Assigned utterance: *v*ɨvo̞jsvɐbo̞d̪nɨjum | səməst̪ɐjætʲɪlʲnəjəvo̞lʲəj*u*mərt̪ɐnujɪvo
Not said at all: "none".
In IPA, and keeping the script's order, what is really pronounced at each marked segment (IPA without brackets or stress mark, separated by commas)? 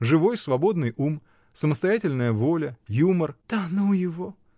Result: ʐ, u